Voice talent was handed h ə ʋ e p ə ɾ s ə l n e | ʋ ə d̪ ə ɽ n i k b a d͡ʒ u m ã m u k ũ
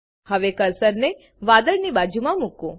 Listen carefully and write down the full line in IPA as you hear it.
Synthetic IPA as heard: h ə ʋ e k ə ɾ s ə ɾ n e | ʋ a d̪ ə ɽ n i b a d͡ʒ u m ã m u k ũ